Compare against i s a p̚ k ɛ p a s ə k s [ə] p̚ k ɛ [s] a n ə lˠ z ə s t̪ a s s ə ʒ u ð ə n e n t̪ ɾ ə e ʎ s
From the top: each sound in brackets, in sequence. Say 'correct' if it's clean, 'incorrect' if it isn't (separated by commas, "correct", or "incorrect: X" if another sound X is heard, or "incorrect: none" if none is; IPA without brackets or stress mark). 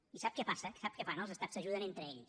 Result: incorrect: a, incorrect: f